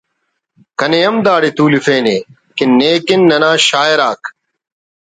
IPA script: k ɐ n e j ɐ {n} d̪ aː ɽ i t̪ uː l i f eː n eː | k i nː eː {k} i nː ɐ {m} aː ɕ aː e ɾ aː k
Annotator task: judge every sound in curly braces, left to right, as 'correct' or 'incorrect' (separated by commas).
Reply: incorrect, correct, incorrect